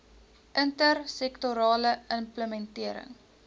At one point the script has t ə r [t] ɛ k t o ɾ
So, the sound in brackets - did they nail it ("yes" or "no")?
no